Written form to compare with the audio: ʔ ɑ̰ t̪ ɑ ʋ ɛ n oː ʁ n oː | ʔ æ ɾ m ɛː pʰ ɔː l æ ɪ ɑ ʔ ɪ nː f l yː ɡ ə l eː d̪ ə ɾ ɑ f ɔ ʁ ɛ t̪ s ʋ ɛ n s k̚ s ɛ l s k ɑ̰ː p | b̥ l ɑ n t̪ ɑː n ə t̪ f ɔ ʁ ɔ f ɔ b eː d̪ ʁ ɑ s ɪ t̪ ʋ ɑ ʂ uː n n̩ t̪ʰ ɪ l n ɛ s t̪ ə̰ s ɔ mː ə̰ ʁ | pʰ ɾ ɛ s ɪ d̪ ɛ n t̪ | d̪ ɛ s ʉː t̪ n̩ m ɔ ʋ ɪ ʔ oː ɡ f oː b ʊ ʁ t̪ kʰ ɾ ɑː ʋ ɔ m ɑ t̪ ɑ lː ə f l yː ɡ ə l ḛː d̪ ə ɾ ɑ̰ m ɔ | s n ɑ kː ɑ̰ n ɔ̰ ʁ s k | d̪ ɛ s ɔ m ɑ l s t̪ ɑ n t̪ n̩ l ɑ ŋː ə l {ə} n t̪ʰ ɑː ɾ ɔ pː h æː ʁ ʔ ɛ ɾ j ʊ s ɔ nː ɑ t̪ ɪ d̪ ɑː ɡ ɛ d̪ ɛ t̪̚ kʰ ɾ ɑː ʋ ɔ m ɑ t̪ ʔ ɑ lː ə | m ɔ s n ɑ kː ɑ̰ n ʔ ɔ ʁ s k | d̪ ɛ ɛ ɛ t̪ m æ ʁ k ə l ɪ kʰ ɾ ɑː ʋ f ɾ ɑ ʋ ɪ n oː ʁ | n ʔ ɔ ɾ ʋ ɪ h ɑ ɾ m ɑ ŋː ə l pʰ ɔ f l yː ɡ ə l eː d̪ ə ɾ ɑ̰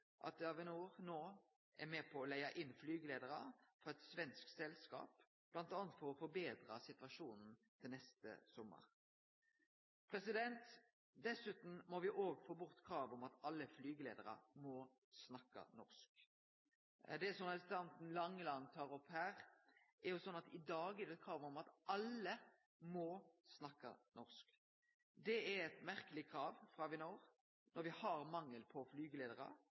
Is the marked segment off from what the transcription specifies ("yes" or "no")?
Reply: yes